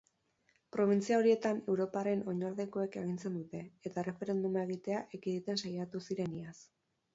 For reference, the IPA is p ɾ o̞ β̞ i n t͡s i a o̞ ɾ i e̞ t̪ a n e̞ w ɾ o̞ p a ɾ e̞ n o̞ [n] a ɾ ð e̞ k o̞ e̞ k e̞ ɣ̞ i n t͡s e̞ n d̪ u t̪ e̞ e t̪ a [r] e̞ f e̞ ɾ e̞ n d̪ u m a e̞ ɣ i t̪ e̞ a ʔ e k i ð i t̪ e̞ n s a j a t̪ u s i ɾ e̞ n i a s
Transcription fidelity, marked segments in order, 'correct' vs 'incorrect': incorrect, correct

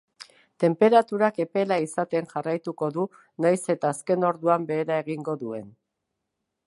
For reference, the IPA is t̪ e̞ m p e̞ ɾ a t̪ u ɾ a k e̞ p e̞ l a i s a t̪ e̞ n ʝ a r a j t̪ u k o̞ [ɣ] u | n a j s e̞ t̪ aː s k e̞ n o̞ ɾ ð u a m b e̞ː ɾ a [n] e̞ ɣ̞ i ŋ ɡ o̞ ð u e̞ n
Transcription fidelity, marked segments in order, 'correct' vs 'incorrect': incorrect, incorrect

